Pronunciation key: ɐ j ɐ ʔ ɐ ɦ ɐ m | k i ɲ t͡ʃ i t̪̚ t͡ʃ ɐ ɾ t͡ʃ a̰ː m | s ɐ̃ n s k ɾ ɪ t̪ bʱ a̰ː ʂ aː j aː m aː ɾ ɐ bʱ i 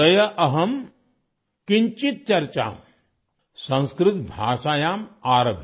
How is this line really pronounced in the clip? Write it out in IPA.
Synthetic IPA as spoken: ɐ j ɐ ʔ ɐ ɦ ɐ m | k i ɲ t͡ʃ i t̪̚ t͡ʃ ɐ ɾ t͡ʃ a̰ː m | s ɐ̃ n s k ɾ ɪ t̪ bʱ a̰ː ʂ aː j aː m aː ɾ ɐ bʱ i